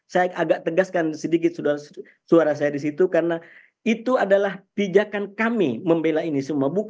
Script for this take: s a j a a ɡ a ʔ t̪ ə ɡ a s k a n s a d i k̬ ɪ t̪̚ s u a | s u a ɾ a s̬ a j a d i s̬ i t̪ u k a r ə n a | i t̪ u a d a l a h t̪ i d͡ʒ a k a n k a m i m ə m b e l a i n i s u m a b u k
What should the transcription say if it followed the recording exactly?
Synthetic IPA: s a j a a ɡ a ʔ t̪ ə ɡ a s k a n s ə d i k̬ ɪ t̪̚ s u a | s u a ɾ a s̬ a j a d i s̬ i t̪ u k a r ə n a | i t̪ u a d a l a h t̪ i d͡ʒ a k a n k a m i m ə m b e l a i n i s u m a b u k